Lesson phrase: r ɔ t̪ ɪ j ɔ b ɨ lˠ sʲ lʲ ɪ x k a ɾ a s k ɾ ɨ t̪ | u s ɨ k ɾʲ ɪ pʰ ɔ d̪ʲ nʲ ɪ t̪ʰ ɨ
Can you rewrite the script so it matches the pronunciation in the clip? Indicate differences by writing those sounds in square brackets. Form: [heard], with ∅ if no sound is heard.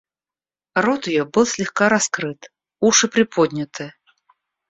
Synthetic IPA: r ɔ t̪ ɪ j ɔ b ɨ lˠ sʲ lʲ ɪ x k a ɾ a s k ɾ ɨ t̪ | u [ʂ] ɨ [p] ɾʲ ɪ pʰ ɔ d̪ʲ nʲ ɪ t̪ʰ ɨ